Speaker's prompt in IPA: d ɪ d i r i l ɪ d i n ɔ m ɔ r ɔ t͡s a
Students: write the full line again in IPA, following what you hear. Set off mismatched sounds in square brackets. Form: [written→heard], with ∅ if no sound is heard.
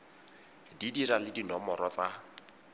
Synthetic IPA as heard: d [ɪ→i] d i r [i→a] l ɪ d i n ɔ m ɔ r ɔ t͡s a